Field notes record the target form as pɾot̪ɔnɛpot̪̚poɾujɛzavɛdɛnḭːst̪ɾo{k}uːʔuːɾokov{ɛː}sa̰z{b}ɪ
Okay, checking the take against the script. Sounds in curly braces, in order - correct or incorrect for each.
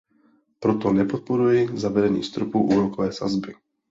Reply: incorrect: p, correct, correct

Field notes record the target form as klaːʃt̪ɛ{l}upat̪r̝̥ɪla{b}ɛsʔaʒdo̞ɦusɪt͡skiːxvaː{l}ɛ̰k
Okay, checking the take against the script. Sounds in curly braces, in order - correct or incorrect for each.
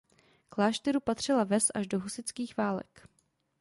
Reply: incorrect: ɾ, incorrect: v, correct

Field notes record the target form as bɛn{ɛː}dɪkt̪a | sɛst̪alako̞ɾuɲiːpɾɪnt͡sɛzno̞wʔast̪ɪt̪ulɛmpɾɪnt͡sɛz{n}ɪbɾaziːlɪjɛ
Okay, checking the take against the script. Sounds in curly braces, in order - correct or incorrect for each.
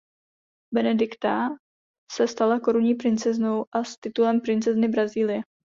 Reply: incorrect: ɛ, correct

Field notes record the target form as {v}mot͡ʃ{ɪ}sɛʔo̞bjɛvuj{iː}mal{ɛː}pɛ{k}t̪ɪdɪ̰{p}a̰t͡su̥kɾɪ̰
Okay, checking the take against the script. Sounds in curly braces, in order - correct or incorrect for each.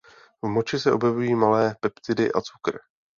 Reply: correct, correct, correct, correct, incorrect: p, incorrect: ʔ

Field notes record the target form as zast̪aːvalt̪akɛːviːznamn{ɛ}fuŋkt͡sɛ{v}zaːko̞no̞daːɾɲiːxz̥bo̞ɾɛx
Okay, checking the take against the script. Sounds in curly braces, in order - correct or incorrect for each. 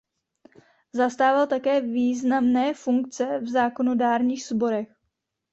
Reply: incorrect: ɛː, correct

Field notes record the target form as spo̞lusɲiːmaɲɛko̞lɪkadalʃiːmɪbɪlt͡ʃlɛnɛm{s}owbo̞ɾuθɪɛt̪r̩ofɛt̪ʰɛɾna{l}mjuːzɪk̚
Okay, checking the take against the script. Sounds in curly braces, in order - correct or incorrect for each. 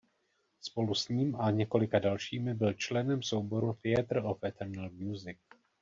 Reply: correct, correct

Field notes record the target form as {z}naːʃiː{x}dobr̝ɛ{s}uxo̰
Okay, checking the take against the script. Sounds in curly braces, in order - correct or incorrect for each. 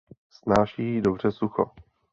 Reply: incorrect: s, incorrect: none, correct

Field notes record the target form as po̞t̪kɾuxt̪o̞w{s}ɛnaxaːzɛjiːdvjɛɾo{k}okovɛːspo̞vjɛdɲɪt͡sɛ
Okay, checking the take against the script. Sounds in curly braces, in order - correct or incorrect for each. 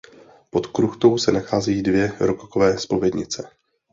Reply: correct, correct

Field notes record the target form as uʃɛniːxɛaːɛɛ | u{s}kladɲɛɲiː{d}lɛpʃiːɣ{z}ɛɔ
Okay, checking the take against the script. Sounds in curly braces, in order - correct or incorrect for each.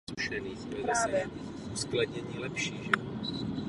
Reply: correct, incorrect: none, incorrect: ʒ

